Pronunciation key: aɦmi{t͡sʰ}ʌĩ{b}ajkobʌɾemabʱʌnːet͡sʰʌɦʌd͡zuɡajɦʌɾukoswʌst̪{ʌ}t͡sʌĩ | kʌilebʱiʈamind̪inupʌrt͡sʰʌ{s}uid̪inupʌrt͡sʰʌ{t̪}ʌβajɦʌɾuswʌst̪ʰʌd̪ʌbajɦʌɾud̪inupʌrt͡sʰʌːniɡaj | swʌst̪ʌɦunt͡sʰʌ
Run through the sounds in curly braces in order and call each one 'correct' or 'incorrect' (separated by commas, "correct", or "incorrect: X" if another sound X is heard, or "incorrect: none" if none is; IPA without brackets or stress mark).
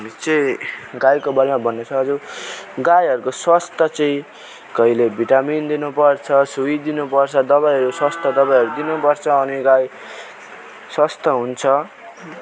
incorrect: t͡s, incorrect: ɡ, correct, correct, incorrect: d̪